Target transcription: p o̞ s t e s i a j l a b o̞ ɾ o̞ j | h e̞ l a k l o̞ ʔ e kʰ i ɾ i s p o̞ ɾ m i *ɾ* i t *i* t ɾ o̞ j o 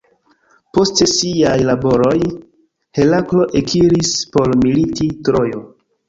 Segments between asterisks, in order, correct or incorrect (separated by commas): incorrect, correct